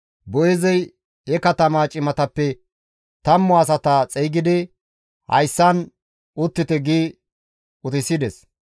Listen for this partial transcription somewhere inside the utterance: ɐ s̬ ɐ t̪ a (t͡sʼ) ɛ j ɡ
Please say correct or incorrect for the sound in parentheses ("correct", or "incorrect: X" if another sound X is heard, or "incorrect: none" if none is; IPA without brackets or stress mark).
correct